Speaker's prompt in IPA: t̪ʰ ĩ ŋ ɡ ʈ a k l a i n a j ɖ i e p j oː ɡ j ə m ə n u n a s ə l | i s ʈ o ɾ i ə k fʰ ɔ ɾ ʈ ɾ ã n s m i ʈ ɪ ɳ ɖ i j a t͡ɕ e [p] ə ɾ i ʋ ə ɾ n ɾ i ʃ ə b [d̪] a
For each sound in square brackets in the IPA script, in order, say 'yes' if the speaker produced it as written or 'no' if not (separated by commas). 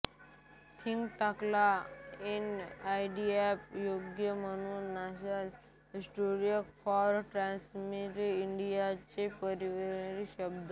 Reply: yes, yes